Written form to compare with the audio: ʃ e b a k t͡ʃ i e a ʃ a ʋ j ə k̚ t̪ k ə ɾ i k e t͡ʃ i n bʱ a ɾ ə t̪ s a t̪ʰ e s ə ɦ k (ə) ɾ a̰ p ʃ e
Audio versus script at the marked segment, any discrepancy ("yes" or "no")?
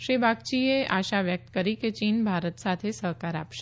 yes